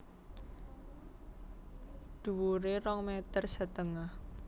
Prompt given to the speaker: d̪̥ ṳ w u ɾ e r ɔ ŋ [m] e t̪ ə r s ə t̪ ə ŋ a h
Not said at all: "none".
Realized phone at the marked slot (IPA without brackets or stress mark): m